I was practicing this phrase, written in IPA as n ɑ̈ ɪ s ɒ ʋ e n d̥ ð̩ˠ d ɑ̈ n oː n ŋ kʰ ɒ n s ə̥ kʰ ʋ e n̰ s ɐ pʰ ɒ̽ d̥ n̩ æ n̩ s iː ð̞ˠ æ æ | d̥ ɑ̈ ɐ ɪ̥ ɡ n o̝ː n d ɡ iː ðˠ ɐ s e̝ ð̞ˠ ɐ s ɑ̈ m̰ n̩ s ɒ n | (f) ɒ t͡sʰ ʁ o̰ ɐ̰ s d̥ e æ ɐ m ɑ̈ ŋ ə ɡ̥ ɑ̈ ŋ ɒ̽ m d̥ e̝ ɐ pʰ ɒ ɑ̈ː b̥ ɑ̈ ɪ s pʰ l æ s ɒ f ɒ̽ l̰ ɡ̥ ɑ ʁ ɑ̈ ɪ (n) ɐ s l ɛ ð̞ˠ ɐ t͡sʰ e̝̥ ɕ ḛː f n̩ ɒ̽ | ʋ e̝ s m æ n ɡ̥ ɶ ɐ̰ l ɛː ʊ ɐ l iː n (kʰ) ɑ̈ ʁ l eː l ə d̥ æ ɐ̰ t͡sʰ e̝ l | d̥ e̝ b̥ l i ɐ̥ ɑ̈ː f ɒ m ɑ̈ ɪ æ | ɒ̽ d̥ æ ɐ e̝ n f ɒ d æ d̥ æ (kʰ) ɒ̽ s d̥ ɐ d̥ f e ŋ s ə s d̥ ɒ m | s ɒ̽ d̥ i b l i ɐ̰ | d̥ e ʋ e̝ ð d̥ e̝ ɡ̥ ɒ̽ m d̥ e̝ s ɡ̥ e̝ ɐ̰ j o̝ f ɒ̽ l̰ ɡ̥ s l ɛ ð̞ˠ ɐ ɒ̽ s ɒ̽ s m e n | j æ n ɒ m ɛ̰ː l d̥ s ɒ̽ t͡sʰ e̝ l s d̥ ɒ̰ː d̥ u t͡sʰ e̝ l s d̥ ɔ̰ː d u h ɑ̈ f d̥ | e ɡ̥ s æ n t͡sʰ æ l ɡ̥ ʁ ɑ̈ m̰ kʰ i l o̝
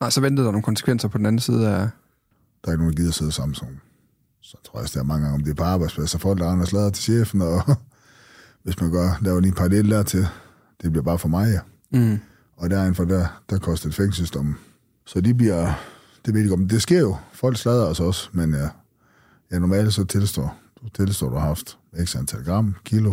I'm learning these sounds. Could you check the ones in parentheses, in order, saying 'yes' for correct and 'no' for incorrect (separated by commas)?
no, yes, no, yes